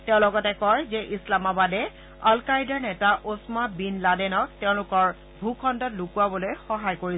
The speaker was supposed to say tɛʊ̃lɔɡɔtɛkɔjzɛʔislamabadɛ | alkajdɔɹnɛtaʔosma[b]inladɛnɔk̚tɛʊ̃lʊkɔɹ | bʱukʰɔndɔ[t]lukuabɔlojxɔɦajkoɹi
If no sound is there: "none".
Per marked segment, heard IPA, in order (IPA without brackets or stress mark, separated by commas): b, t